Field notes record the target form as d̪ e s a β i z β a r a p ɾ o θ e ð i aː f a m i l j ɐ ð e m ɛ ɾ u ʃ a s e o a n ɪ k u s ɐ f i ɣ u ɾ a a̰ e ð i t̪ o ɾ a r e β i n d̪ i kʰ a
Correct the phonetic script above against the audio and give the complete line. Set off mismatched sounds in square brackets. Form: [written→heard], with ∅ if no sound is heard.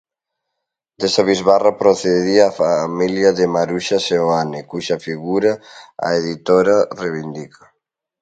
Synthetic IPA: d̪ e s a β i z β a r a p ɾ o θ e ð i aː f a m i l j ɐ ð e m [ɛ→a] ɾ u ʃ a s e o a n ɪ k u [s→ʃ] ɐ f i ɣ u ɾ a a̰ e ð i t̪ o ɾ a r e β i n d̪ i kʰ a